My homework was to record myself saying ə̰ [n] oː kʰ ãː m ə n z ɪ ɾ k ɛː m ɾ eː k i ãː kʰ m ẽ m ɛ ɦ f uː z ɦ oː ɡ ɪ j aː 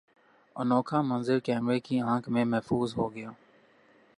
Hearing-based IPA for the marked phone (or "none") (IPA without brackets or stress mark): n